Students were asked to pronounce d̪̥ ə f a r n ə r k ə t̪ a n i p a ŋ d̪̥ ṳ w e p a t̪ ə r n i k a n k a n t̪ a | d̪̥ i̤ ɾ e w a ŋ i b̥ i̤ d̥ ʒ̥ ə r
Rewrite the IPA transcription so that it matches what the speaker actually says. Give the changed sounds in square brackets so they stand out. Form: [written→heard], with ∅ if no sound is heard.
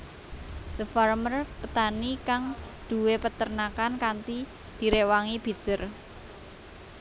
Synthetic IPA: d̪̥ ə f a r [n→m] ə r [k→p] ə t̪ a n i [p→k] a ŋ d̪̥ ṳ w e p [a→ə] t̪ ə r n [i→a] k a n k a n t̪ [a→i] | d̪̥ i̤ ɾ e w a ŋ i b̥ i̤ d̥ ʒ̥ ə r